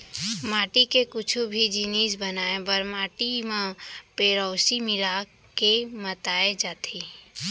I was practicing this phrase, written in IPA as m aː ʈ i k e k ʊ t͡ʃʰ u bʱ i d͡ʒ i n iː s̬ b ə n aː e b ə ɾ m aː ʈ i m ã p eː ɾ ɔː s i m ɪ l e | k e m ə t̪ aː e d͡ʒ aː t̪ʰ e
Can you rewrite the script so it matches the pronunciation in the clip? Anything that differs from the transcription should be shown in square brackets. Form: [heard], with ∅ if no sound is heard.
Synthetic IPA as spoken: m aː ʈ i k e k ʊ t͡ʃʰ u bʱ i d͡ʒ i n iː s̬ b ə n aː e b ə ɾ m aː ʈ i m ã p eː ɾ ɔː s i m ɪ l [a] | k e m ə t̪ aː e d͡ʒ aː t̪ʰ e